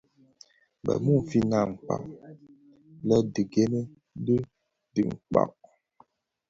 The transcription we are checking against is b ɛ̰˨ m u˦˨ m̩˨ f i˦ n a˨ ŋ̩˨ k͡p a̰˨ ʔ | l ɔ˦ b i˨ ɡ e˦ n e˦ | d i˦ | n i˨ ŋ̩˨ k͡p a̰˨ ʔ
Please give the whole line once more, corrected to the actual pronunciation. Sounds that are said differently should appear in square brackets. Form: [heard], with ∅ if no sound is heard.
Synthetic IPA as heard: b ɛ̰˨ m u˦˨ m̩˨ f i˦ n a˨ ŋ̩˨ k͡p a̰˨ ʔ | l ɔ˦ [d] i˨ ɡ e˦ n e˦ | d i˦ | [d] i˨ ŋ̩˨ k͡p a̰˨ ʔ